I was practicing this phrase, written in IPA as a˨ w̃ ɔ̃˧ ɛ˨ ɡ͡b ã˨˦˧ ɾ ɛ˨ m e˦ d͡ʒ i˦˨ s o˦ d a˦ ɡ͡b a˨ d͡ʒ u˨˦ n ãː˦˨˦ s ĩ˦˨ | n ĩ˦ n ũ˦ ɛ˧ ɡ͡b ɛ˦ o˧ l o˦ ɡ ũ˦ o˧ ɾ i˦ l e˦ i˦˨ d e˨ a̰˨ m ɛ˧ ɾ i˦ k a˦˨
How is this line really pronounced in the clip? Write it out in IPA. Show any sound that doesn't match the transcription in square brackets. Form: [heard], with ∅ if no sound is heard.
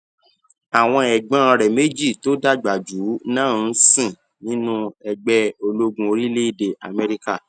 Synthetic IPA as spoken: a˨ w̃ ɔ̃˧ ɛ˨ ɡ͡b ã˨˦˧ ɾ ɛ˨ m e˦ d͡ʒ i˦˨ [t] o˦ d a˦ ɡ͡b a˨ d͡ʒ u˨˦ n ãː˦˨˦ s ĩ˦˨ | n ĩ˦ n ũ˦ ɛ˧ ɡ͡b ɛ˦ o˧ l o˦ ɡ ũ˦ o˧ ɾ i˦ l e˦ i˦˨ d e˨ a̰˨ m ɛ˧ ɾ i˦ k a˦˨

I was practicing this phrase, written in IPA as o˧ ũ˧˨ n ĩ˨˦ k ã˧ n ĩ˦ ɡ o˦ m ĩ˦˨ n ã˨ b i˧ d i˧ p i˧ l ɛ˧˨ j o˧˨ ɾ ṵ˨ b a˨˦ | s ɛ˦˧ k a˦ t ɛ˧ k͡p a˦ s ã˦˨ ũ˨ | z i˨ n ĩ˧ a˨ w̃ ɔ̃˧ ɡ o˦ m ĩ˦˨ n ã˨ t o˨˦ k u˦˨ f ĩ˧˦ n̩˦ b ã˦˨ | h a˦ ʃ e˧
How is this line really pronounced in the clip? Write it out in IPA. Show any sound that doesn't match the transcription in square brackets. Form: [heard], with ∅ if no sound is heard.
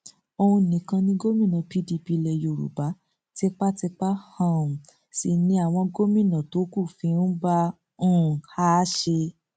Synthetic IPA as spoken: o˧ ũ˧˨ n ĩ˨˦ k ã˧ n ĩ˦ ɡ o˦ m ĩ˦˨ n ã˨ [p] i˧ d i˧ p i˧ l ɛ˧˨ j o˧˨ ɾ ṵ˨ b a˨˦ | [t] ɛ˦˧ [k͡p] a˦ t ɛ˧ k͡p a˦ [h] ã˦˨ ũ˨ | [s] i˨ n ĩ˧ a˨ w̃ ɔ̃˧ ɡ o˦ m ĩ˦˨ n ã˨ t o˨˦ k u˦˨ f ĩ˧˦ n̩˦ b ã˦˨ | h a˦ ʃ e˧

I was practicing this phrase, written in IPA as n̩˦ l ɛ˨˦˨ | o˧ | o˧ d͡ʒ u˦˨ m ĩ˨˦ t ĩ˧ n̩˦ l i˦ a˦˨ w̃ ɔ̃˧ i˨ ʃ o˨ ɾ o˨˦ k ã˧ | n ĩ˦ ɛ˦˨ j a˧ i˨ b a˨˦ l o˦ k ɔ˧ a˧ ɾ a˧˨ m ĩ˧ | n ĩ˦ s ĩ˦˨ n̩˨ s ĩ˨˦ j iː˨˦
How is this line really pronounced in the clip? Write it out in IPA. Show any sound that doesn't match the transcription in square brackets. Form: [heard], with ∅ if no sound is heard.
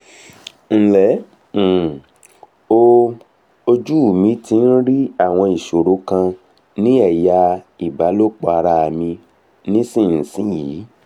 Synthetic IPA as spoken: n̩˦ l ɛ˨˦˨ | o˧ | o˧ d͡ʒ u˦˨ m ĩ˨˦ t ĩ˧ n̩˦ [ɾ] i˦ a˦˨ w̃ ɔ̃˧ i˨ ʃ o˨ ɾ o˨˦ k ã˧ | n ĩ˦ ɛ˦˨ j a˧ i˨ b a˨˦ l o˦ [k͡p] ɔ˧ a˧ ɾ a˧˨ m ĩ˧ | n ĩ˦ s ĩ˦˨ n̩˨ s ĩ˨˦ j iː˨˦

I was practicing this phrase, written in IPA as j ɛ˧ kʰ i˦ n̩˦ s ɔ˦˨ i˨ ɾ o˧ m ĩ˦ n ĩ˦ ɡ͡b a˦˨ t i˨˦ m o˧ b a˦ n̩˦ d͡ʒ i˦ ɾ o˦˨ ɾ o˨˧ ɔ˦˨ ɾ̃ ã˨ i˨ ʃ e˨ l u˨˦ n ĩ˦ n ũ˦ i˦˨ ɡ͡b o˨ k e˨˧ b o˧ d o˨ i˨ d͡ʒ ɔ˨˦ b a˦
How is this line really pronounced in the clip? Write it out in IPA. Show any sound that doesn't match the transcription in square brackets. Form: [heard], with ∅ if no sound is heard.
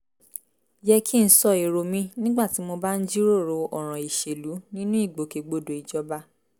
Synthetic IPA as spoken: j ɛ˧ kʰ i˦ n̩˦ s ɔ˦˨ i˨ ɾ o˧ m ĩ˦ n ĩ˦ ɡ͡b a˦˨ t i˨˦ m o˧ b a˦ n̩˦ d͡ʒ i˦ ɾ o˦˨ ɾ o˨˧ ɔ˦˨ ɾ̃ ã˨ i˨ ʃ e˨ l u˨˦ n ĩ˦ n ũ˦ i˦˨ ɡ͡b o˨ k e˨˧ [ɡ͡b] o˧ d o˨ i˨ d͡ʒ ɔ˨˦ b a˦

